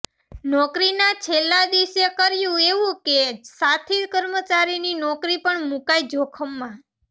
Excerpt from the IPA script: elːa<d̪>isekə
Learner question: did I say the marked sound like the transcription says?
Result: yes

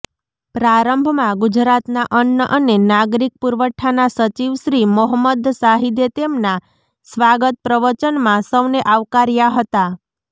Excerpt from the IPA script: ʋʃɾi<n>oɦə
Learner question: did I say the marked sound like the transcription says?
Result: no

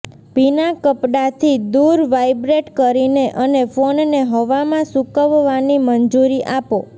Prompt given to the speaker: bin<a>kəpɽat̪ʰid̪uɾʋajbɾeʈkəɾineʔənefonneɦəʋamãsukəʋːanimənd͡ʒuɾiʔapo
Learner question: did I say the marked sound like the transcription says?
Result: yes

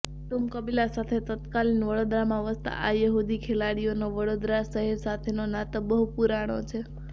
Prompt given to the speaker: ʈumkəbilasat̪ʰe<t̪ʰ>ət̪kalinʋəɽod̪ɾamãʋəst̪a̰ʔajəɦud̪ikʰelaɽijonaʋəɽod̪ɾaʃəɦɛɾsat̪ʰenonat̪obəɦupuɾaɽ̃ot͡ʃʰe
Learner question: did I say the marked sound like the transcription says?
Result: no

